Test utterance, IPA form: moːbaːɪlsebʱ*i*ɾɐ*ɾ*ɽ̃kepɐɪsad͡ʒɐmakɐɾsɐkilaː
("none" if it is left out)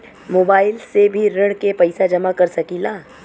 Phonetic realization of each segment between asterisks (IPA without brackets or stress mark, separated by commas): i, none